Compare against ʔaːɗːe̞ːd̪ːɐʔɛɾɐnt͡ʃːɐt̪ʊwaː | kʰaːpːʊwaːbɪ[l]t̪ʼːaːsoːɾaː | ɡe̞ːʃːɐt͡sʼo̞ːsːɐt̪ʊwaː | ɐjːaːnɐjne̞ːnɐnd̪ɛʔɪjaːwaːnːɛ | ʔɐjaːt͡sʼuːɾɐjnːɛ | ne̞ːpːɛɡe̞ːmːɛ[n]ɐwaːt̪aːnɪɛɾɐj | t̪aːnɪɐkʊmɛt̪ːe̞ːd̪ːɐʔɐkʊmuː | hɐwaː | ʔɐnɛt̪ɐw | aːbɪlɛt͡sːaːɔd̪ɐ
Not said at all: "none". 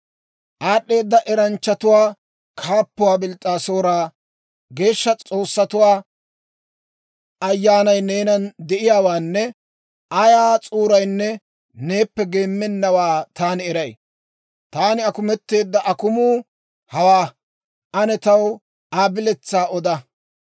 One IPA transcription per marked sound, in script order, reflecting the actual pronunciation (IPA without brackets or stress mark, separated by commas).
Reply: l, nː